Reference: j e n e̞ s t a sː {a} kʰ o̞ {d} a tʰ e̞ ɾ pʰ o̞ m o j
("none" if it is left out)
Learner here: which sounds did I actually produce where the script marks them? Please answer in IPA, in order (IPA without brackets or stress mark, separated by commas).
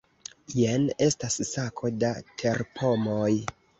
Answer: a, d